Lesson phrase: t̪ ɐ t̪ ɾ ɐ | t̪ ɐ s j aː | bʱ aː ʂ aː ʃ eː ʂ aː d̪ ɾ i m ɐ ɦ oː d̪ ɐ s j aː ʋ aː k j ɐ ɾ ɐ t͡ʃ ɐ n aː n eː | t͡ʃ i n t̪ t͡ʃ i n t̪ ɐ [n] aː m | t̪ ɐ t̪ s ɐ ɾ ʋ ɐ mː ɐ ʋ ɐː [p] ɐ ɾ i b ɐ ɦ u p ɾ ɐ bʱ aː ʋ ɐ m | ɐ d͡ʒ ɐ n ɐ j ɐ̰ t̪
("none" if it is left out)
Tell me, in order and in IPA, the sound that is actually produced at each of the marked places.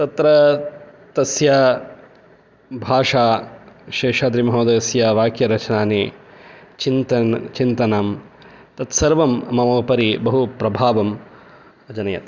n, p

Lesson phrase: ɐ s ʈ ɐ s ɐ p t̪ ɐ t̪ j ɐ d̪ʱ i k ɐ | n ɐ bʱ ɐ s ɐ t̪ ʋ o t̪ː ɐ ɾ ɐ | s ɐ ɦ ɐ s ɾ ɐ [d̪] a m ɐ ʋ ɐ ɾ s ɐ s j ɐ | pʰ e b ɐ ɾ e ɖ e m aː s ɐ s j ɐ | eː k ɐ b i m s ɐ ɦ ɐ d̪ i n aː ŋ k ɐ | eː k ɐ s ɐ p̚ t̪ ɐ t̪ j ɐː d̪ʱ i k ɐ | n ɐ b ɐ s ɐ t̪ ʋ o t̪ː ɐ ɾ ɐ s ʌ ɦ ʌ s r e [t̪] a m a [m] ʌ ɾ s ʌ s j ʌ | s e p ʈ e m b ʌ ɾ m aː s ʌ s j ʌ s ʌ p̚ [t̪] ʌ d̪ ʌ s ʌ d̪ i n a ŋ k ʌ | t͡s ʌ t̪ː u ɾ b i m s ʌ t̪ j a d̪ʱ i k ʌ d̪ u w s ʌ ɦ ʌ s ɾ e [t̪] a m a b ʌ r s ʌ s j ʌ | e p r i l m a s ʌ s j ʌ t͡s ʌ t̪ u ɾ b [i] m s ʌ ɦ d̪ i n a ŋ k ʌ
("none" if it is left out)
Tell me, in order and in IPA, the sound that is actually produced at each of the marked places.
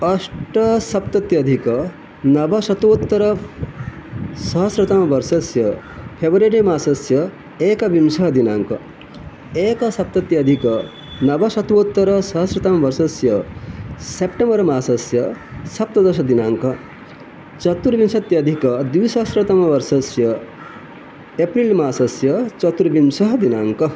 t̪, t̪, b, t̪, t̪, i

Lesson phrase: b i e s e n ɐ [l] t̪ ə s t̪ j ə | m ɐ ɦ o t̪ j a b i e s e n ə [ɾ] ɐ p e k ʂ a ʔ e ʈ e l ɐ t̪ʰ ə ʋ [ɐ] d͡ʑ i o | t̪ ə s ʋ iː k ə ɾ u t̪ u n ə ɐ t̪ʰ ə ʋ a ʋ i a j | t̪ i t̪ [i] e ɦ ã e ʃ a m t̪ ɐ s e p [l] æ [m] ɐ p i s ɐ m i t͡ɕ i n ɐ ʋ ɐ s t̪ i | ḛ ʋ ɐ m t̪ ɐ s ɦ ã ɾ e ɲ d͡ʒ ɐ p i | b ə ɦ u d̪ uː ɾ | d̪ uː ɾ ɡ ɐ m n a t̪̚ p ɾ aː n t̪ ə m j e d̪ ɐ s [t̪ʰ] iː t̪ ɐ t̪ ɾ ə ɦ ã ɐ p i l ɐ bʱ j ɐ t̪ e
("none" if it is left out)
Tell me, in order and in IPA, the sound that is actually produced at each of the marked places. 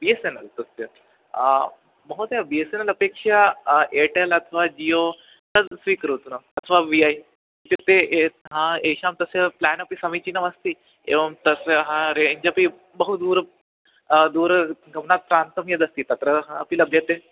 l, l, a, e, l, n, t̪

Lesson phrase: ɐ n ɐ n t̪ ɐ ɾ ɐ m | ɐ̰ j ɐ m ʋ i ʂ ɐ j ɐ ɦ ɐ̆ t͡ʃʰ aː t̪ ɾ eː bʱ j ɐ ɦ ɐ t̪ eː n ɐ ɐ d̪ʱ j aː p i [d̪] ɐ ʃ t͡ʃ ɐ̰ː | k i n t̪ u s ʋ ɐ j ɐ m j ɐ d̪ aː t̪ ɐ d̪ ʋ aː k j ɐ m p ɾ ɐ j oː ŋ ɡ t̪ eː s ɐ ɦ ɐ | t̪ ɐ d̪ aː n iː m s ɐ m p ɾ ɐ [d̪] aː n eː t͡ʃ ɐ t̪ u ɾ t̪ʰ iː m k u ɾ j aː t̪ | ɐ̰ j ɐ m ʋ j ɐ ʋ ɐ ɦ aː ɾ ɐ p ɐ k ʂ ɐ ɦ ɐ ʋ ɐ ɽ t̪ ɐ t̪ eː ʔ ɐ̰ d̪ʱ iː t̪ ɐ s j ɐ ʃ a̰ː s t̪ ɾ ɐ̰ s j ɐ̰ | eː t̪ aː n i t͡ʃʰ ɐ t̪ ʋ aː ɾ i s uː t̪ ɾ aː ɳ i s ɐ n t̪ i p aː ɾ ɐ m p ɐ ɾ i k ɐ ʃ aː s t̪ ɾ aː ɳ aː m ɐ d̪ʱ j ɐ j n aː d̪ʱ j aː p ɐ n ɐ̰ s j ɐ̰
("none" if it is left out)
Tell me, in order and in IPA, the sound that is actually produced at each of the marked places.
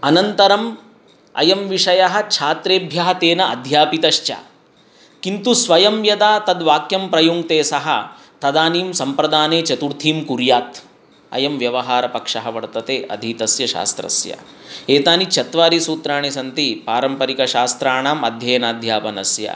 t̪, d̪

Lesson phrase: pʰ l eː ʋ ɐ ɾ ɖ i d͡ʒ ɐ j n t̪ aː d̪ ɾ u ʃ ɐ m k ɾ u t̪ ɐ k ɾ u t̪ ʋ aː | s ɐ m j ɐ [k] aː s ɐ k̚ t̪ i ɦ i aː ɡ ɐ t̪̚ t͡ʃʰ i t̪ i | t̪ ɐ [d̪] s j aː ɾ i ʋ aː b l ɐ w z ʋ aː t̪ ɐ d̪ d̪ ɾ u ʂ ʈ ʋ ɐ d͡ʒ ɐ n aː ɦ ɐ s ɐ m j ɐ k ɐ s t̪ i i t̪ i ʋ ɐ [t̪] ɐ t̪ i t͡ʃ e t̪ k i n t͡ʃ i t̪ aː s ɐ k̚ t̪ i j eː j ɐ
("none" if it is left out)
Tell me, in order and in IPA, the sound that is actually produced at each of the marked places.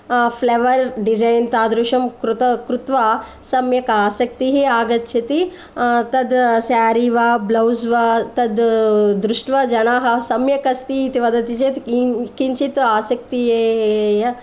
k, d̪, d̪

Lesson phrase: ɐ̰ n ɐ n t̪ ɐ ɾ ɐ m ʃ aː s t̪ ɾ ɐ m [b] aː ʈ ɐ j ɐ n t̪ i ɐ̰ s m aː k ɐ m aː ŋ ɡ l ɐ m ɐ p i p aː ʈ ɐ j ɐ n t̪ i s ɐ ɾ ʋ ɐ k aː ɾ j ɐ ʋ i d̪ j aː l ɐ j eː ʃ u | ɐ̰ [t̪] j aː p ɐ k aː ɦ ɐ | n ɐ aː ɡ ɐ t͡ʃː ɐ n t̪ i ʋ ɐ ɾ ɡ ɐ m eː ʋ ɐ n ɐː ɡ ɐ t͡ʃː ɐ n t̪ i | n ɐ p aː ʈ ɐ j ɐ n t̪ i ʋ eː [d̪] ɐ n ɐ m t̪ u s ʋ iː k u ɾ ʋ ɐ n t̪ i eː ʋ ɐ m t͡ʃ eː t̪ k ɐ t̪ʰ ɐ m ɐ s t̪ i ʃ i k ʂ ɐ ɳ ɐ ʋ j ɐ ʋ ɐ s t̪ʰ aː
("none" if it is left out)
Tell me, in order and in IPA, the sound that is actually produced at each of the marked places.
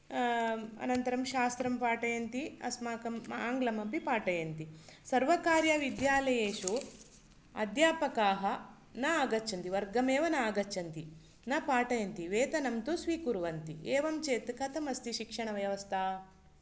p, d̪, t̪

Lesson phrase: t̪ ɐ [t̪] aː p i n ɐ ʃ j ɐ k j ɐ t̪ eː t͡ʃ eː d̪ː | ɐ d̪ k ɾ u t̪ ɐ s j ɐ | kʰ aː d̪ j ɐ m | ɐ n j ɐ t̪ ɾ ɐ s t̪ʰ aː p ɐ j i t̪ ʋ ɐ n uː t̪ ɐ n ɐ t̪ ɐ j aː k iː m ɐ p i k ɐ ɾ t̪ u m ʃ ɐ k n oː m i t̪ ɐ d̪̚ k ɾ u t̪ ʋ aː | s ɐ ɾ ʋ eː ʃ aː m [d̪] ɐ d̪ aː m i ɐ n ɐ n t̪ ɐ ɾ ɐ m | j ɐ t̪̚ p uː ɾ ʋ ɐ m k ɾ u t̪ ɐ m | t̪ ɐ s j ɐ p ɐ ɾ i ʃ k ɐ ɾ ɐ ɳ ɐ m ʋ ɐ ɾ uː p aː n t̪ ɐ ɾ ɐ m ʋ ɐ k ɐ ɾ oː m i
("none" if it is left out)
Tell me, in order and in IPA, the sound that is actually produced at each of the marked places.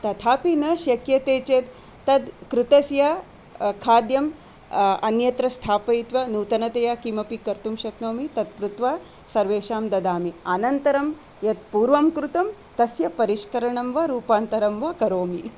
t̪ʰ, d̪

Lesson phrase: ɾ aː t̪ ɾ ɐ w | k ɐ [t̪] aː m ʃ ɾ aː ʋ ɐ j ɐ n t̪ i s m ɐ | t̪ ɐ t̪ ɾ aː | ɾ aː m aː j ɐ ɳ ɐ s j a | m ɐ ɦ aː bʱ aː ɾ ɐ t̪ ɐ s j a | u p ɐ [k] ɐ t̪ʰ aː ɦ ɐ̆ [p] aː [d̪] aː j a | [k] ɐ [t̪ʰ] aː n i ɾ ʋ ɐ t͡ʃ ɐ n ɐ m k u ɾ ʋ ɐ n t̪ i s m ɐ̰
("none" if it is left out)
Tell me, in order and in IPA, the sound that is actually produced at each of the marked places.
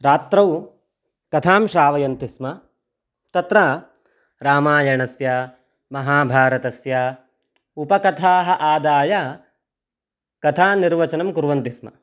t̪ʰ, k, ʔ, d̪, k, t̪ʰ

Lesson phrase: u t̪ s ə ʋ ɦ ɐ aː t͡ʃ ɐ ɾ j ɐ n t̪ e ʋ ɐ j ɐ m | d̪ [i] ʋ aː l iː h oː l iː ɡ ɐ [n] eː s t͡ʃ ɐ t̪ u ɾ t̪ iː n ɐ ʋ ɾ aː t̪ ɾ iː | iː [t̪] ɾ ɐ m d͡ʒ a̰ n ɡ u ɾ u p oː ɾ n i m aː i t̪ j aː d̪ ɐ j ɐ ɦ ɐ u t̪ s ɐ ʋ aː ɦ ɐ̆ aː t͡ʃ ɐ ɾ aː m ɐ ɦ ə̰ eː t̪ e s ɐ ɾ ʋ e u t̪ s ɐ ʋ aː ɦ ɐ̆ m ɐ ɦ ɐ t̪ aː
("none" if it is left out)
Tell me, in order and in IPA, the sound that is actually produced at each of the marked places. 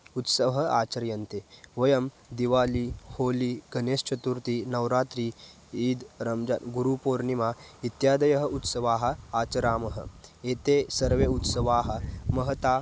i, n, d̪

